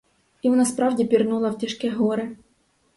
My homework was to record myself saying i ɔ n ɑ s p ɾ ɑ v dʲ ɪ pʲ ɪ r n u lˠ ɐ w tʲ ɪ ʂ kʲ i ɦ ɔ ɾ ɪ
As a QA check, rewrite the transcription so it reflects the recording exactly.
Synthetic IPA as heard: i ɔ n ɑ s p ɾ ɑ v dʲ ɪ pʲ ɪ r n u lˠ ɐ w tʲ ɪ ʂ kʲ ɛ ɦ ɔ ɾ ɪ